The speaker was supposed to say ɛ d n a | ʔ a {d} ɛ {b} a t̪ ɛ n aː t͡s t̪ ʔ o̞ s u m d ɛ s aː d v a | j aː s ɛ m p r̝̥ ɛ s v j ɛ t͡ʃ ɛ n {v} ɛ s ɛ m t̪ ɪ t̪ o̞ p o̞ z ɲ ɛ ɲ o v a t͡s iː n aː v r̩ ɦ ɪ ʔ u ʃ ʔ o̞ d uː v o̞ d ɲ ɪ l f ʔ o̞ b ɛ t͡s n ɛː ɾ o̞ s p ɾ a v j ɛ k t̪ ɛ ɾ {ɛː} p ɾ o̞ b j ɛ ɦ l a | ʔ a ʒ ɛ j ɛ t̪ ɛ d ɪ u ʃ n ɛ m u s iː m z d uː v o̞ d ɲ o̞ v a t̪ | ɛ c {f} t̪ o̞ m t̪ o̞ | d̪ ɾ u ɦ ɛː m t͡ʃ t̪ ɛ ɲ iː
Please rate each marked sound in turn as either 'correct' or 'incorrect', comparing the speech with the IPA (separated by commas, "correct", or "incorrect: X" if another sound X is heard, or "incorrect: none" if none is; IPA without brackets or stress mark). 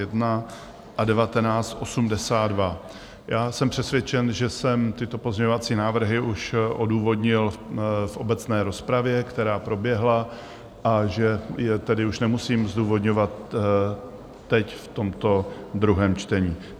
correct, incorrect: v, incorrect: ʒ, incorrect: aː, correct